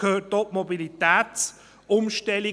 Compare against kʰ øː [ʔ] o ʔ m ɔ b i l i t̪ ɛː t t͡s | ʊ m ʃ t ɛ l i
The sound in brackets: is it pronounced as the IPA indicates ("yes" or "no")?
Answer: no